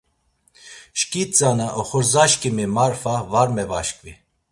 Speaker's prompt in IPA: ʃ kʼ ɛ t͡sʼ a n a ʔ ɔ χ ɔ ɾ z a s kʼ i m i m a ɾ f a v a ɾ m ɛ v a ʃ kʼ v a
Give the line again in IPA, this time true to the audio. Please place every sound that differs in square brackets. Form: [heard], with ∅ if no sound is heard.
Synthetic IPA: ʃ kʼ [i] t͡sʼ a n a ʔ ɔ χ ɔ ɾ z a [ʃ] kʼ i m i m a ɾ f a v a ɾ m ɛ v a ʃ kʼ v [i]